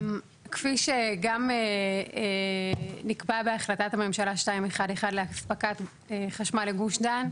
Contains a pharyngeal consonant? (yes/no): no